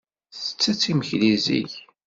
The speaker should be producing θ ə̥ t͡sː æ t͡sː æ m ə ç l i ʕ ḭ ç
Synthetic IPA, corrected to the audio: θ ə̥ t͡sː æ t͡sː i m ə ç l i z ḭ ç